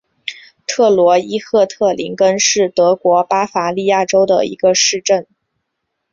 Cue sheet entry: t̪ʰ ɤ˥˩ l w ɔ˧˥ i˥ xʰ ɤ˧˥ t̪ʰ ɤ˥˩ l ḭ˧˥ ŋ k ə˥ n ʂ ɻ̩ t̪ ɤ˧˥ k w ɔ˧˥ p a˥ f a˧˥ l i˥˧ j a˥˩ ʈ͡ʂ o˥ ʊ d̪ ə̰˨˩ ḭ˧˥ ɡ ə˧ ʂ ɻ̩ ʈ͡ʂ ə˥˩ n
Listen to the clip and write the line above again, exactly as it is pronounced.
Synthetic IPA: t̪ʰ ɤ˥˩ l w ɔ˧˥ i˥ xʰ ɤ˥˧ t̪ʰ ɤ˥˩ l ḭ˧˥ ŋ k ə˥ n ʂ ɻ̩ t̪ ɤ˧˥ k w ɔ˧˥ p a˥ f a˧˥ l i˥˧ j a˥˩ ʈ͡ʂ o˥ ʊ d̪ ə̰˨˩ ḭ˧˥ ɡ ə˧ ʂ ɻ̩ ʈ͡ʂ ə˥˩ n